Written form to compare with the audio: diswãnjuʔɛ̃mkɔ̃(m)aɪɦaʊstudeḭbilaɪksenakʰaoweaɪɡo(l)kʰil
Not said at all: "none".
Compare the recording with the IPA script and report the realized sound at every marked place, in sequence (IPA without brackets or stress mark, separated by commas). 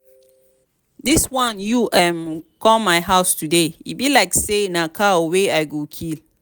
m, none